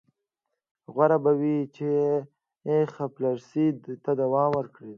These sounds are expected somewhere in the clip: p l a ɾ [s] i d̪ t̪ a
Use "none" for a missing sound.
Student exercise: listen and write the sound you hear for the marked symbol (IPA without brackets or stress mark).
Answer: s